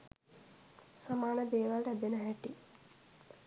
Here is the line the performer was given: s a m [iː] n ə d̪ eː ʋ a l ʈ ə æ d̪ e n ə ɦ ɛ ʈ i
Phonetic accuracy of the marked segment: incorrect: aː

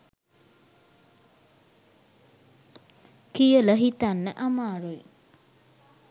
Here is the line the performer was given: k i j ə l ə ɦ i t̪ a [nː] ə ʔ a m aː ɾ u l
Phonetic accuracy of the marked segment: correct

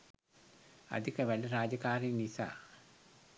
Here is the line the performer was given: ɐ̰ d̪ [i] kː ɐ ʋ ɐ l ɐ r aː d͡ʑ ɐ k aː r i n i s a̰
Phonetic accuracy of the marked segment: correct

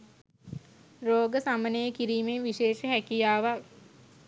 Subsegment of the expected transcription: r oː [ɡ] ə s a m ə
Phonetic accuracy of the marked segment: correct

